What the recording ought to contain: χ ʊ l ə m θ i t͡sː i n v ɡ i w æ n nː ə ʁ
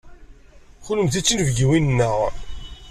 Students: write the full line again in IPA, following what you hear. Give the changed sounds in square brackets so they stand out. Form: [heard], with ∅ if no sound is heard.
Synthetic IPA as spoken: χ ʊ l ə m θ i t͡sː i n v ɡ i w [i] n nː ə ʁ